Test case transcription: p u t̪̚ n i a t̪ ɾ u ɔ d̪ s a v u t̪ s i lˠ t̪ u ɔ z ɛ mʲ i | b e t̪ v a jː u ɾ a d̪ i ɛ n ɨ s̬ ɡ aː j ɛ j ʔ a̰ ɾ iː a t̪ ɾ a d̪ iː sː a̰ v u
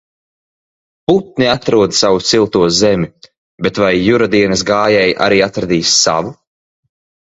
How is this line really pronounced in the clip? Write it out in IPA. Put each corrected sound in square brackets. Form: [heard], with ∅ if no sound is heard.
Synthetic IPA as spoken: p u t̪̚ n i a t̪ ɾ u ɔ d̪ s a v u t̪ s i lˠ t̪ u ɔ z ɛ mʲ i | b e t̪ v a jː u ɾ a d̪ i ɛ n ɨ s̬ ɡ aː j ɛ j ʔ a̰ ɾ iː a t̪ ɾ a d̪ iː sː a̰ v u